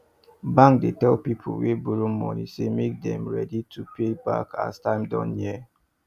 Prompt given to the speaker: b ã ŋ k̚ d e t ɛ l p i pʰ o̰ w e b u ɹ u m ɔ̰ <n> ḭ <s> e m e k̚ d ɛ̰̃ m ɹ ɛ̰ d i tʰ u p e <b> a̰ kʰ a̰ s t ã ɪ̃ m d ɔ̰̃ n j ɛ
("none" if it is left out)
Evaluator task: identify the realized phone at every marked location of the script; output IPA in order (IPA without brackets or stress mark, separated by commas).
n, s, b